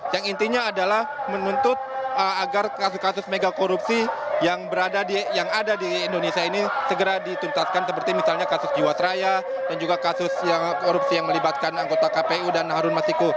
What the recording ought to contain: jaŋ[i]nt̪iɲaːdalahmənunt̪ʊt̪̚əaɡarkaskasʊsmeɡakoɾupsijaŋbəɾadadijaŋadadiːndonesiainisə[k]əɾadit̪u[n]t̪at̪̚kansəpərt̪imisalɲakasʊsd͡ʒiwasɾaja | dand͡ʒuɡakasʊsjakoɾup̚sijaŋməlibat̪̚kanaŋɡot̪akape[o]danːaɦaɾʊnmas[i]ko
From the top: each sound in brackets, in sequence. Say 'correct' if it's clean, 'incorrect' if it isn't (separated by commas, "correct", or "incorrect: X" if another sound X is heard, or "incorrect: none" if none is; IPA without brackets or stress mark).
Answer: correct, incorrect: ɡ, correct, incorrect: u, correct